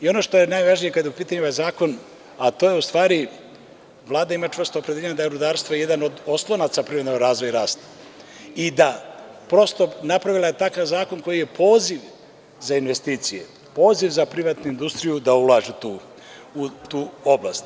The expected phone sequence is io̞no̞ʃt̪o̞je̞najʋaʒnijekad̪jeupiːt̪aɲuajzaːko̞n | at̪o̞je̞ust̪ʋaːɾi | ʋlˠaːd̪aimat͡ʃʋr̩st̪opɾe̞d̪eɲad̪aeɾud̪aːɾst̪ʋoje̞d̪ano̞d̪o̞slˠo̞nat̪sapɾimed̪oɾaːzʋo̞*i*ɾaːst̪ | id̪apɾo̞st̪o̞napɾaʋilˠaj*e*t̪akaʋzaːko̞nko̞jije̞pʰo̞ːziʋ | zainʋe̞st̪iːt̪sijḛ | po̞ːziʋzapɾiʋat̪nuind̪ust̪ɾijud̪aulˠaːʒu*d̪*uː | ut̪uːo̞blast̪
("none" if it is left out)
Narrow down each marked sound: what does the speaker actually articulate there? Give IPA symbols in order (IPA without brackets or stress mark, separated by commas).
j, e, t̪